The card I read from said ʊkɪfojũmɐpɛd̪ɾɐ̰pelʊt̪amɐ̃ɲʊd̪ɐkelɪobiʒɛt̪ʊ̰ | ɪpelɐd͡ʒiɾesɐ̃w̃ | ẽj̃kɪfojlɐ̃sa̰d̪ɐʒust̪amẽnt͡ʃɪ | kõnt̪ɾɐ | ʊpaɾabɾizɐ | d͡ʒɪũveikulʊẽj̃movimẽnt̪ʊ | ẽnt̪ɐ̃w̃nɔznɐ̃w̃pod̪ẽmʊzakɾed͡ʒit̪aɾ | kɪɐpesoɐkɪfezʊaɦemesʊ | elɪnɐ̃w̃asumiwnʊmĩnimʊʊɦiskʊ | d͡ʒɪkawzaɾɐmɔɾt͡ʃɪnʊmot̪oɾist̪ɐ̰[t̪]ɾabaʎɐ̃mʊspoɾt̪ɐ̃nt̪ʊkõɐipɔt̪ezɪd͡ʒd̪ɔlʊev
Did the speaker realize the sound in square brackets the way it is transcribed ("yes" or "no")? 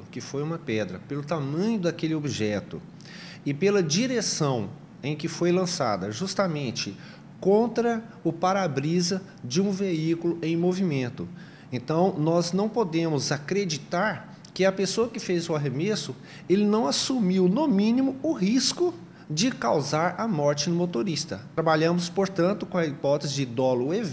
yes